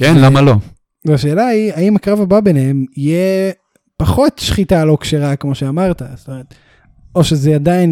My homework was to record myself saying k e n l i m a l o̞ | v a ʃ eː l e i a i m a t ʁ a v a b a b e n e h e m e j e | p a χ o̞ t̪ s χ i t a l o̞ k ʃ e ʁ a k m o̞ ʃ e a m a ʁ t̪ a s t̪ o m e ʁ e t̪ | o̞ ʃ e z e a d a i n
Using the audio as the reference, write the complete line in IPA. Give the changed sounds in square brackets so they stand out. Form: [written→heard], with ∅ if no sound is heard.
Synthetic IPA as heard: k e n l [i→a] m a l o̞ | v a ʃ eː l [e→a] i a i m a [t→k] ʁ a v a b a b e n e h e m [e→i] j e | p a χ o̞ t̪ [s→ʃ] χ i t a l o̞ k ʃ e ʁ a k m o̞ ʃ e a m a ʁ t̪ a s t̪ o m e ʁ e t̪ | o̞ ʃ e z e a d a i n